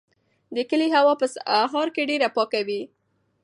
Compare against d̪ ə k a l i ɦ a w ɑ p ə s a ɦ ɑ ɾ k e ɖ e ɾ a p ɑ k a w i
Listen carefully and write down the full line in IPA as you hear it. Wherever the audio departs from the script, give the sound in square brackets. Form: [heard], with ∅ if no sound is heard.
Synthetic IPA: d̪ ə k [ə] l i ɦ a w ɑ p ə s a ɦ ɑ ɾ k e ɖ e ɾ a p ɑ k a w i